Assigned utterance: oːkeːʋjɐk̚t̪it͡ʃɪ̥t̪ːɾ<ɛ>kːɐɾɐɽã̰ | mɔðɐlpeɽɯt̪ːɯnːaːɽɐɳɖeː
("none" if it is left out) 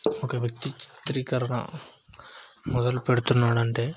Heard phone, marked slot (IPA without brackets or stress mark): i